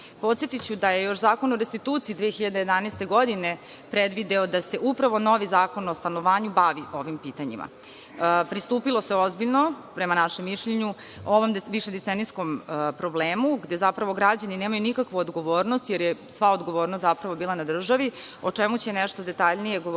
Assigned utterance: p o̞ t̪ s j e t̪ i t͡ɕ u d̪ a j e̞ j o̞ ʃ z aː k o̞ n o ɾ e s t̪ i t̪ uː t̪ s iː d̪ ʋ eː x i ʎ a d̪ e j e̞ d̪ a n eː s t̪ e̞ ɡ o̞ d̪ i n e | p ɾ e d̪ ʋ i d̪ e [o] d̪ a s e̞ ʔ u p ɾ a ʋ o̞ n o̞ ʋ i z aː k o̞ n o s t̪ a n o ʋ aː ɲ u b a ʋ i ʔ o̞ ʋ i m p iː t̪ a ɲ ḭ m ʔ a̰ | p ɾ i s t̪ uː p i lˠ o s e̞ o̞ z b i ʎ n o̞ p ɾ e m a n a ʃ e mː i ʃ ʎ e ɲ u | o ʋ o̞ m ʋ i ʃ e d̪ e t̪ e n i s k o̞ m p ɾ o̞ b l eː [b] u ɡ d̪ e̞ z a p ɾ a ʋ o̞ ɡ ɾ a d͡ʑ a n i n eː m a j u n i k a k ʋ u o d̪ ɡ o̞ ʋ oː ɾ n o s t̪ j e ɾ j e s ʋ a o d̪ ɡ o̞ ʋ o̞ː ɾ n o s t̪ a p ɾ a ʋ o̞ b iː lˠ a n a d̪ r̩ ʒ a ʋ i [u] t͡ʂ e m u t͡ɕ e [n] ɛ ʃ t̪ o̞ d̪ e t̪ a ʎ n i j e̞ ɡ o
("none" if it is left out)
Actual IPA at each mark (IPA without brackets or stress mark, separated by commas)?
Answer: o, m, o, n